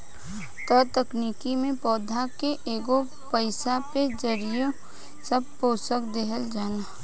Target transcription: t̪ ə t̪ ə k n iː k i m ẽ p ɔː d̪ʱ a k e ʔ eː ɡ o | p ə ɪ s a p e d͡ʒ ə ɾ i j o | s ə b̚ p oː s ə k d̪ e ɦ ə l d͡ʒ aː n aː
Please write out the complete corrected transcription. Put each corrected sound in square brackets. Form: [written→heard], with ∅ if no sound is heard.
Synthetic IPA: t̪ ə t̪ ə k n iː k i m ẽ p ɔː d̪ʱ a k e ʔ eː ɡ o | p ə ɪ s a p e d͡ʒ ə ɾ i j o | s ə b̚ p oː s ə k d̪ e ɦ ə l d͡ʒ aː n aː